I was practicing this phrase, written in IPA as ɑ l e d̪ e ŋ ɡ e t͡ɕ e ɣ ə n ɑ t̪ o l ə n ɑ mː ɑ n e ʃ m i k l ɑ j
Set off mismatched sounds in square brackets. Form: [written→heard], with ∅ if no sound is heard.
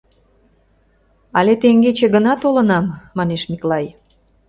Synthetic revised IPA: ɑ l e [d̪→t̪] e ŋ ɡ e t͡ɕ e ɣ ə n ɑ t̪ o l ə n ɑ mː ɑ n e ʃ m i k l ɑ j